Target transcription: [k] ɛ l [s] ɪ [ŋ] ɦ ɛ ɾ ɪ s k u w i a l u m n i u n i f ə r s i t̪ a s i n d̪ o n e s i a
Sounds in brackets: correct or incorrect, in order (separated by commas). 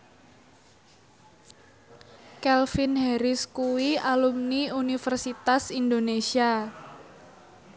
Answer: correct, incorrect, incorrect